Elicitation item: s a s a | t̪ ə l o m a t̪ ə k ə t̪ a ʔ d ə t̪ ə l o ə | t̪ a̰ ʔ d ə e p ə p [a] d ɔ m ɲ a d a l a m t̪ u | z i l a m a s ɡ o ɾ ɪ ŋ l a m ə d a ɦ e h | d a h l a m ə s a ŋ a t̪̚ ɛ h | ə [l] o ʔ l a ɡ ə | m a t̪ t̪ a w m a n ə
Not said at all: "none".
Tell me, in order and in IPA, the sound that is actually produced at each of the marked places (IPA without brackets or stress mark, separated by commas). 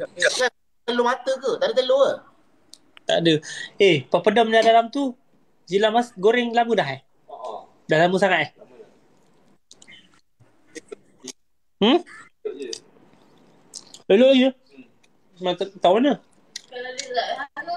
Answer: ə, l